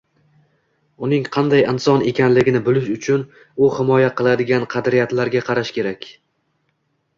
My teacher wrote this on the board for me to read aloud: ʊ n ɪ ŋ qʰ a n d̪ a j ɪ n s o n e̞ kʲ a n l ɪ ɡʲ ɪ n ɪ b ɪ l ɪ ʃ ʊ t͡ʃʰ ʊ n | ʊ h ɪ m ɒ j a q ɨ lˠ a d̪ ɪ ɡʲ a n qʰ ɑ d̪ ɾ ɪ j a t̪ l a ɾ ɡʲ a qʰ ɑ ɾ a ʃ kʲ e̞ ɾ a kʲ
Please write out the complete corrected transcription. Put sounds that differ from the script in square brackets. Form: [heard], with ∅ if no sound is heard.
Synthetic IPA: ʊ n ɪ ŋ qʰ [ɑ] n d̪ a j ɪ n s [ɒ] n e̞ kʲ a n l ɪ ɡʲ ɪ n ɪ b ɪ l ɪ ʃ ʊ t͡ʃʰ ʊ n | ʊ h ɪ m ɒ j a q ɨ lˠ a d̪ ɪ ɡʲ a n qʰ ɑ d̪ ɾ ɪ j a t̪ l a ɾ ɡʲ a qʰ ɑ ɾ a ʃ kʲ e̞ ɾ a kʲ